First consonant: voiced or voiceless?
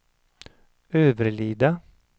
voiced